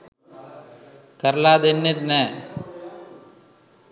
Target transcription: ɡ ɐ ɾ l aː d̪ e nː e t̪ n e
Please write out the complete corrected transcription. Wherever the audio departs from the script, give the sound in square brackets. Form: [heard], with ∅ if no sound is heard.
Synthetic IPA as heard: [k] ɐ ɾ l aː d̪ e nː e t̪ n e